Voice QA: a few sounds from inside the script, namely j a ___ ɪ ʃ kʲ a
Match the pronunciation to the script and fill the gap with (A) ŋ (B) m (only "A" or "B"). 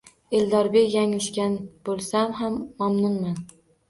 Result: A